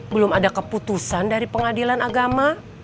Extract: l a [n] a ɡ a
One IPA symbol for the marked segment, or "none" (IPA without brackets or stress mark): n